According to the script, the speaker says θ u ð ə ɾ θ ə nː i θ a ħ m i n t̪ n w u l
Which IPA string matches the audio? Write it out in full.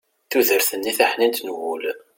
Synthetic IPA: θ u ð ə ɾ θ ə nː i θ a ħ n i n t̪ n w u l